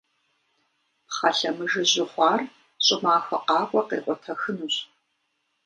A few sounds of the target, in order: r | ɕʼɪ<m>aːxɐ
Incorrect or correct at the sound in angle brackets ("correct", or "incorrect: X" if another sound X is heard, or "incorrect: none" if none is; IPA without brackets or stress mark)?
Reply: correct